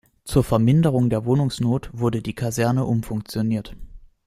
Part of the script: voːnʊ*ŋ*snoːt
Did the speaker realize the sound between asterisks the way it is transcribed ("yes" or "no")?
yes